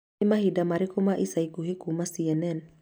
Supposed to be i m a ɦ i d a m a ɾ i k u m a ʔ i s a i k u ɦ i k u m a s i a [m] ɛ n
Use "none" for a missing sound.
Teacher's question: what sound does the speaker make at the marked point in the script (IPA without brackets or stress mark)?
n